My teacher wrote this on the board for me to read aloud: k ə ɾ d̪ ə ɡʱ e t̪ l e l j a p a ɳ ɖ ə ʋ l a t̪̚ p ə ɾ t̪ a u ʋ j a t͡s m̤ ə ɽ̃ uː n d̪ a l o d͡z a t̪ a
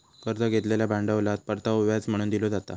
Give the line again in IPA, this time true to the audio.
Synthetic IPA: k ə ɾ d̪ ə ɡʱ e t̪ l e l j a b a ɳ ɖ ə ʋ l a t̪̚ p ə ɾ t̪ a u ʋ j a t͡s m̤ ə ɽ̃ uː n d̪ i l o d͡z a t̪ a